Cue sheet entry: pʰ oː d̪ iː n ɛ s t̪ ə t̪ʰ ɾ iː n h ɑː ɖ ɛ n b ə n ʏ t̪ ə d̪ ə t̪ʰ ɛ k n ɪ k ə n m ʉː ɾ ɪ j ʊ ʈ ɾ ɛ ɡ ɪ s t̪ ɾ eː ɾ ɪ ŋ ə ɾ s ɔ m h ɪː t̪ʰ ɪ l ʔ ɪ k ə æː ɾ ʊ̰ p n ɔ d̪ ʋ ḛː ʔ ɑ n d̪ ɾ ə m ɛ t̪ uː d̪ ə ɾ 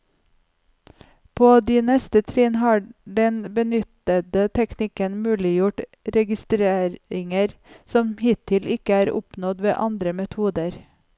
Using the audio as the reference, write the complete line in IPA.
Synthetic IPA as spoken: pʰ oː d̪ iː n ɛ s t̪ ə t̪ʰ ɾ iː n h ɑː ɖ ɛ n b ə n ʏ t̪ ə d̪ ə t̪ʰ ɛ k n ɪ k ə n m ʉː l ɪ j ʊ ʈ ɾ ɛ ɡ ɪ s t̪ ɾ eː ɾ ɪ ŋ ə ɾ s ɔ m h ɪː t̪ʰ ɪ l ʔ ɪ k ə æː ɾ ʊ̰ p n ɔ d̪ ʋ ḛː ʔ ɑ n d̪ ɾ ə m ɛ t̪ʰ uː d̪ ə ɾ

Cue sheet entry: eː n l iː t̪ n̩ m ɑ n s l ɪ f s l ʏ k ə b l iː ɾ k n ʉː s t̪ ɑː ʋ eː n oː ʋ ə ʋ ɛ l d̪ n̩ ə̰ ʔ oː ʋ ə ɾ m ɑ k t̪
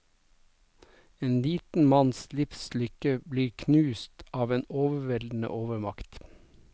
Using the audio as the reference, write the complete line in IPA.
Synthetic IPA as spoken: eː n l iː t̪ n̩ m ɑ n s l ɪ f s l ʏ k ə b l iː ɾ kʰ n ʉː s t̪ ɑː ʋ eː n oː ʋ ə ʋ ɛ l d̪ n̩ ə̰ ʔ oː ʋ ə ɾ m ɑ k t̪

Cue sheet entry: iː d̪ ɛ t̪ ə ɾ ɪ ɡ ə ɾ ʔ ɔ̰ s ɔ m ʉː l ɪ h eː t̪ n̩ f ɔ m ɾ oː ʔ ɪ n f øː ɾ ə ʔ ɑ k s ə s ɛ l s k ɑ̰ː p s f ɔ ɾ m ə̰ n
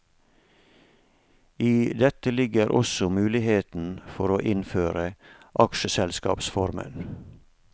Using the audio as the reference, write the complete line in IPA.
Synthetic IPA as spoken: iː d̪ ɛ t̪ ə l ɪ ɡ ə ɾ ʔ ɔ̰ s ɔ m ʉː l ɪ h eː t̪ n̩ f ɔ ɾ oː ʔ ɪ n f øː ɾ ə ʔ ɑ k ʃ ə s ɛ l s k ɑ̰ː p s f ɔ ɾ m ə̰ n

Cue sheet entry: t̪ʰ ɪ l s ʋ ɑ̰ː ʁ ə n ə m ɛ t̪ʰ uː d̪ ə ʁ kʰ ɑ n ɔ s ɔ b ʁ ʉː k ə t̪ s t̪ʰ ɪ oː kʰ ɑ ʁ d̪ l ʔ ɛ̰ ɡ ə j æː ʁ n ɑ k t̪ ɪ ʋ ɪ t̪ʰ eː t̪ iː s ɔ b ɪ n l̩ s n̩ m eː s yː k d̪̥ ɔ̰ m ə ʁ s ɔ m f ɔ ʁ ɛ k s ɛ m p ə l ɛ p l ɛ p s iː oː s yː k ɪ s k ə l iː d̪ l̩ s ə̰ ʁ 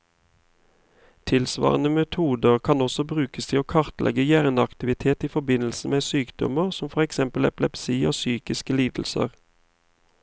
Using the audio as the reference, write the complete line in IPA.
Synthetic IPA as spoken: t̪ʰ ɪ l s ʋ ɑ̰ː ʁ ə n ə m ɛ t̪ʰ uː d̪ ə ʁ kʰ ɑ n ɔ s ɔ b ʁ ʉː k ə s t̪ʰ ɪ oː kʰ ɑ ʁ t̪ l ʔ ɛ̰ ɡ ə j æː ʁ n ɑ k t̪ ɪ ʋ ɪ t̪ʰ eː t̪ iː f ɔ b ɪ n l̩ s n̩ m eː s yː k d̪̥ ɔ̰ m ə ʁ s ɔ m f ɔ ʁ ɛ k s ɛ m p ə l ɛ p l ɛ p s iː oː s yː k ɪ s k ə l iː d̪ l̩ s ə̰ ʁ

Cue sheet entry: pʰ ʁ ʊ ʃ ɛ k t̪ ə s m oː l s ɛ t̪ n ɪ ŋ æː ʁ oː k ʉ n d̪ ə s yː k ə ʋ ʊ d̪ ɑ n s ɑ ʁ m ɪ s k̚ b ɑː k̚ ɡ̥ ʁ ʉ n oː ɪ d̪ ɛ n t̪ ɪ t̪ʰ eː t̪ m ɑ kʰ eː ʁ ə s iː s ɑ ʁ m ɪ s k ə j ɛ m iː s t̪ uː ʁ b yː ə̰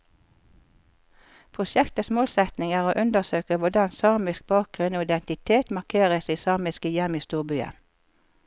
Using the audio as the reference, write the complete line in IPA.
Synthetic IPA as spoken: pʰ ʁ ʊ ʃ ɛ k t̪ ə s m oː l s ɛ t̪ n ɪ ŋ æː ʁ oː ʔ ʉ n d̪ ə s øː k ə ʋ ʊ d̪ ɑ n s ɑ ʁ m ɪ s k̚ b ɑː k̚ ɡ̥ ʁ ʉ n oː ɪ d̪ ɛ n t̪ ɪ t̪ʰ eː t̪ m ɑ kʰ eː ʁ ə s iː s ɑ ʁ m ɪ s k ə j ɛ m iː s t̪ uː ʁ b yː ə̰

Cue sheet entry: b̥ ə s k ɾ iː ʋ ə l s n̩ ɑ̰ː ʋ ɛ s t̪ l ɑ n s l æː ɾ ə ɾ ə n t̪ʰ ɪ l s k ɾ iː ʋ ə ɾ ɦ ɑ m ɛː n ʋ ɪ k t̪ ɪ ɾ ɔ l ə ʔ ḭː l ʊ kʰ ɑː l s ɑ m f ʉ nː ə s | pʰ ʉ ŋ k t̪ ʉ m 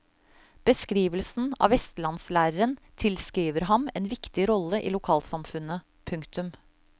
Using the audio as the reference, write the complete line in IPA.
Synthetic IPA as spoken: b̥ ə s k ɾ iː ʋ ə l s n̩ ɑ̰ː ʋ ɛ s t̪ l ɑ n s l æː ɾ ə ɾ ə n t̪ʰ ɪ l s k ɾ iː ʋ ə ɾ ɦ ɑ m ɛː n ʋ ɪ k t̪ ɪ ɾ ɔ l ə ʔ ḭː l ʊ kʰ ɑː l s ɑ m f ʉ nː ə | pʰ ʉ ŋ k t̪ ʉ m

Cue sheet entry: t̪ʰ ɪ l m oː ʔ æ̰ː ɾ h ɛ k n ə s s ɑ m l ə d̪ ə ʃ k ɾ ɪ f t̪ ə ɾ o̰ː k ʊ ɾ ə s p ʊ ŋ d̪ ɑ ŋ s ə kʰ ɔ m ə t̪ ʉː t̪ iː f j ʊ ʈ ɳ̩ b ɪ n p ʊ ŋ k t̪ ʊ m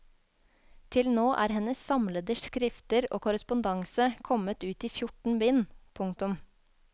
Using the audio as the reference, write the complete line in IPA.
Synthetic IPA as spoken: t̪ʰ ɪ l n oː ʔ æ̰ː ɾ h ɛ n ə s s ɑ m l ə d̪ ə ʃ k ɾ ɪ f t̪ ə ɾ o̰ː k ʊ ɾ ə s p ʊ n d̪ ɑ ŋ s ə kʰ ɔ m ə t̪ ʉː t̪ iː f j ʊ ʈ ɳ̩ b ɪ n pʰ ʊ ŋ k t̪ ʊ m

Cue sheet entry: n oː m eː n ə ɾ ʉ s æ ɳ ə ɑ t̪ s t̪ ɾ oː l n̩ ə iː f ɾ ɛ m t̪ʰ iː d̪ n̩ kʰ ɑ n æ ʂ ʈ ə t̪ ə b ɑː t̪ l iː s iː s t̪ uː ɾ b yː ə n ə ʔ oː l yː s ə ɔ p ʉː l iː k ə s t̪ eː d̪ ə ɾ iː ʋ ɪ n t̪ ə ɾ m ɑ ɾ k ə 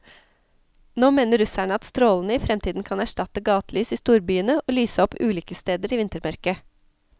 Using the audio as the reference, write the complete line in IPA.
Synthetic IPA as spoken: n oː m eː n ə ɾ ʉ s æ ɳ ə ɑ t̪ s t̪ ɾ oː l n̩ ə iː f ɾ ɛ m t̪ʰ iː d̪ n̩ kʰ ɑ n æ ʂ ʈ ɑ t̪ ə ɡ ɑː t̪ l yː s iː s t̪ uː ɾ b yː ə n ə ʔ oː l yː s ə ɔ p ʉː l iː k ə s t̪ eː d̪ ə ɾ iː ʋ ɪ n t̪ ə ɾ m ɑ ɾ k ə

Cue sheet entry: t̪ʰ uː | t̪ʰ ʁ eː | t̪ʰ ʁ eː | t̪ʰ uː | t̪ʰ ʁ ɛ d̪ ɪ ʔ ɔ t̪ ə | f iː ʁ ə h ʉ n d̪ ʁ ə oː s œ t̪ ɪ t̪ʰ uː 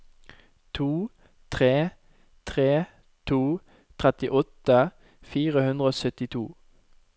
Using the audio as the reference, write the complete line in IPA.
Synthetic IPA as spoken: t̪ʰ uː | t̪ʰ ʁ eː | t̪ʰ ʁ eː | t̪ʰ uː | t̪ʰ ʁ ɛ t̪ ɪ ʔ ɔ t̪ ə | f iː ʁ ə h ʉ n d̪ ʁ ə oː s œ t̪ ɪ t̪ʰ uː

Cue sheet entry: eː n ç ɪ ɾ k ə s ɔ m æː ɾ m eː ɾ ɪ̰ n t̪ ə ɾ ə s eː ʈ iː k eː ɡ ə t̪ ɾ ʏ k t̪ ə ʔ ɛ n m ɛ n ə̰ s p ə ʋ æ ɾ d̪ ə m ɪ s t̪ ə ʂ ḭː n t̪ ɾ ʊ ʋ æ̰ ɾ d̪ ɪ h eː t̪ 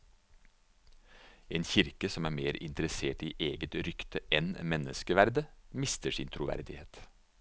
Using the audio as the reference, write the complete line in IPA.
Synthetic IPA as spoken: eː n ç ɪ ɾ k ə s ɔ m æː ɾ m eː ɾ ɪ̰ n t̪ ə ɾ ə s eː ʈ iː ʔ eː ɡ ə t̪ ɾ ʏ k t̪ ə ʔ ɛ n m ɛ n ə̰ s k ə ʋ æ ɾ d̪ ə m ɪ s t̪ ə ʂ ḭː n t̪ʰ ɾ ʊ ʋ æ̰ ɾ d̪ ɪ h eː t̪

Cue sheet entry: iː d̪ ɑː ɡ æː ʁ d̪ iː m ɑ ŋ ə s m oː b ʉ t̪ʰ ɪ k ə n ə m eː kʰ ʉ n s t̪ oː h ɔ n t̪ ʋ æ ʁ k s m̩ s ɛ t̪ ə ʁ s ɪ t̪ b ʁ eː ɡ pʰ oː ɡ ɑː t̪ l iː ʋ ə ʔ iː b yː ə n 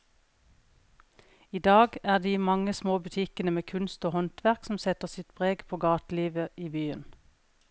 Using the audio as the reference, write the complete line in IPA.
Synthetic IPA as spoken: iː d̪ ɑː ɡ æː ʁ d̪ iː m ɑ ŋ ə s m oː b ʉ t̪ʰ ɪ k ə n ə m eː kʰ ʉ n s t̪ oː h ɔ n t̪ ʋ æ ʁ k s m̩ s ɛ t̪ ə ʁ s ɪ t̪ b ʁ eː ɡ pʰ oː ɡ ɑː t̪ l iː ʋ ə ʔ iː b yː ə n

